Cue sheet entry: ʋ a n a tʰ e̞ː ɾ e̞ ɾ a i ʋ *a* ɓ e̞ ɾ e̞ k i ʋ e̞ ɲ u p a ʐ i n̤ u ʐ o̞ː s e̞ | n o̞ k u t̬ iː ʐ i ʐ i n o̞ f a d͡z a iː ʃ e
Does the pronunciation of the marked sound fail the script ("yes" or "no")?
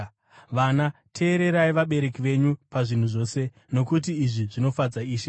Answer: no